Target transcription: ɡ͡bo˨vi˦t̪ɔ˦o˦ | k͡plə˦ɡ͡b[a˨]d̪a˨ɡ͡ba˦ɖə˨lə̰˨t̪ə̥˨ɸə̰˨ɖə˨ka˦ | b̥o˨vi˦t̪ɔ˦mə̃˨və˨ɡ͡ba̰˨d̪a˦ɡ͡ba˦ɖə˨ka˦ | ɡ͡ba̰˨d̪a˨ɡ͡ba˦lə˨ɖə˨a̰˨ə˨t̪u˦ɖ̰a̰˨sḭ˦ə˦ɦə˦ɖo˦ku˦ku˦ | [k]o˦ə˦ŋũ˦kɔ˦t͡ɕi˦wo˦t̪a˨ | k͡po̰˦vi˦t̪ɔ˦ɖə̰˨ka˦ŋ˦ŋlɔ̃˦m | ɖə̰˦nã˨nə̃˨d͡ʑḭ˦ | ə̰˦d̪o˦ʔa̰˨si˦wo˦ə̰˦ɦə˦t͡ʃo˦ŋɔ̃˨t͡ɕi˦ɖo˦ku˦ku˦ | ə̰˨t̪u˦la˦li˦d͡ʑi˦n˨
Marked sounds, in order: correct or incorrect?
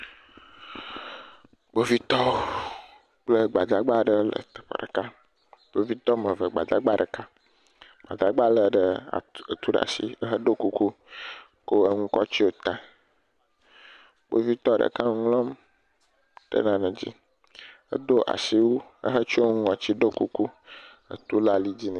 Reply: correct, correct

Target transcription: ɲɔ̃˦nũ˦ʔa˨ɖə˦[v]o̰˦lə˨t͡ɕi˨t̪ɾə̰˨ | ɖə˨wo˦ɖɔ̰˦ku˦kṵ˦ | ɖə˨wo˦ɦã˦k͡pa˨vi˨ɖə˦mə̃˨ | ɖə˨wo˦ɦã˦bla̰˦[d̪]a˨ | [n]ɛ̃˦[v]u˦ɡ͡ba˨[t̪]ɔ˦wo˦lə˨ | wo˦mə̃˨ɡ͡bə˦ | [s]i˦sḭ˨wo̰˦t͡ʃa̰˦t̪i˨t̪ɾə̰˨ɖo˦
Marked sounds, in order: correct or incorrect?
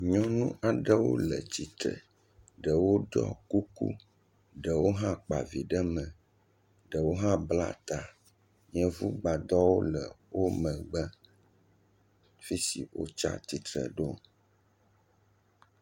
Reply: incorrect, incorrect, incorrect, correct, incorrect, incorrect

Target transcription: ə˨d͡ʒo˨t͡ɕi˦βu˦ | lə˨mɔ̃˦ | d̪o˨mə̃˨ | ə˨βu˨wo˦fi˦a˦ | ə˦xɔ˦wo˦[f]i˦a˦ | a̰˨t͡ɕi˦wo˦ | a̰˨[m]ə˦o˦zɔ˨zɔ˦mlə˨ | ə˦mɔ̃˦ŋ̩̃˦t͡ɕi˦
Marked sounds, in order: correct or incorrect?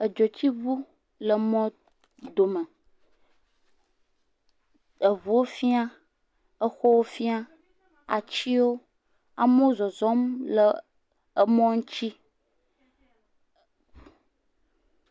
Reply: correct, correct

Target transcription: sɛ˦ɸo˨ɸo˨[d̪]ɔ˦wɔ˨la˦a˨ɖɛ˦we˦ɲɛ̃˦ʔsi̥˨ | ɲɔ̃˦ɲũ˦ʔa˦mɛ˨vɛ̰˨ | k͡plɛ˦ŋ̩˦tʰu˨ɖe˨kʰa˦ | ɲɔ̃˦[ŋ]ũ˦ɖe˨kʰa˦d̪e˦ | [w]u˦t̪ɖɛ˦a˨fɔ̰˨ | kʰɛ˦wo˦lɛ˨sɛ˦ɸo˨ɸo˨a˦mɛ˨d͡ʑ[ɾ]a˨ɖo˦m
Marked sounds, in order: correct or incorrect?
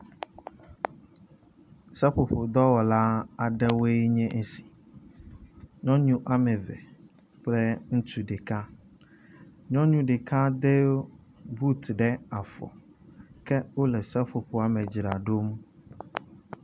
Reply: correct, incorrect, incorrect, correct

